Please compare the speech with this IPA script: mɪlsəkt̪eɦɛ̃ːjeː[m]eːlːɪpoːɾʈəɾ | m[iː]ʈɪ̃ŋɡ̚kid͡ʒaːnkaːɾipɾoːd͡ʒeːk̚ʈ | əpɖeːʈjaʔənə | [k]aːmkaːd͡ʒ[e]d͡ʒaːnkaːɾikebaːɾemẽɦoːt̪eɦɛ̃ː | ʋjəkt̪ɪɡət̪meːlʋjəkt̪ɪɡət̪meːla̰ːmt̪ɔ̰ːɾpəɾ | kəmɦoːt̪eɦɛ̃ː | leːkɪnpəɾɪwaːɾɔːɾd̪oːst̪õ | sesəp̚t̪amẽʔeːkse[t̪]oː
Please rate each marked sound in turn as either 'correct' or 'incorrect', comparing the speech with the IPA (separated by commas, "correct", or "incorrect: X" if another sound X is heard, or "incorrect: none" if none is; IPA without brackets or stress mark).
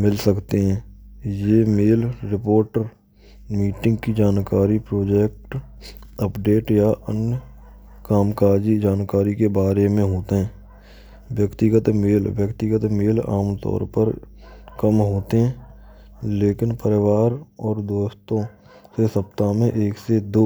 correct, correct, correct, incorrect: i, incorrect: d̪